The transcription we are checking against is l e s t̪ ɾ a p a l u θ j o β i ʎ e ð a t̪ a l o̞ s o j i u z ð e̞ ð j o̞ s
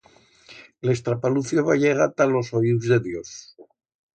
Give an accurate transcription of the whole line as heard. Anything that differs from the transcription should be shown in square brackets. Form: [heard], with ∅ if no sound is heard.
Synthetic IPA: l e s t̪ ɾ a p a l u θ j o β [a] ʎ e [ɣ] a t̪ a l o̞ s o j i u z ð e̞ ð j o̞ s